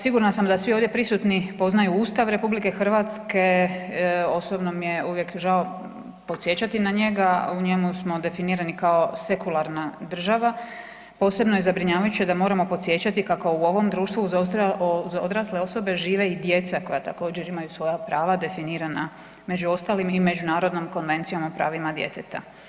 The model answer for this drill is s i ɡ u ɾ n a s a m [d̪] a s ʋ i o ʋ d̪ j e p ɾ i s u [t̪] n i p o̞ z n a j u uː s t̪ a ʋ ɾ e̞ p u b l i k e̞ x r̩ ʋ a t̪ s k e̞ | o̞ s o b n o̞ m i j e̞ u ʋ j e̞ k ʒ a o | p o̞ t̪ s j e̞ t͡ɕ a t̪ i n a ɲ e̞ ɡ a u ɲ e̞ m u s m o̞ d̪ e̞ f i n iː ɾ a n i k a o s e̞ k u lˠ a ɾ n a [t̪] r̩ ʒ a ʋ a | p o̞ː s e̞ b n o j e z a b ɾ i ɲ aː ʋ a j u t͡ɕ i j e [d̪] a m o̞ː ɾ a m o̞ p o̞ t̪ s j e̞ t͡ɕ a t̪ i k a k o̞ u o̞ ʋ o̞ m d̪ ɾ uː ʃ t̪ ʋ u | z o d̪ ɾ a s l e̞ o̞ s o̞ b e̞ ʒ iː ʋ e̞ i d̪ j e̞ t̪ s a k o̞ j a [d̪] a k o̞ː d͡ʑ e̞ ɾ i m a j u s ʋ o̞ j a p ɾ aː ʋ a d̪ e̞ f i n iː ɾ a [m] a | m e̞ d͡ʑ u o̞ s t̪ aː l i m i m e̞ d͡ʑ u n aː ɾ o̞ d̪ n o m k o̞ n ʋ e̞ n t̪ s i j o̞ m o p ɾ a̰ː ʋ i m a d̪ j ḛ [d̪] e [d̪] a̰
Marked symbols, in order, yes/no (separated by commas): yes, yes, no, yes, no, no, no, no